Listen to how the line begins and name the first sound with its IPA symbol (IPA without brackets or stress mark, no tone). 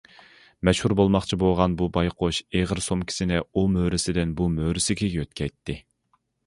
m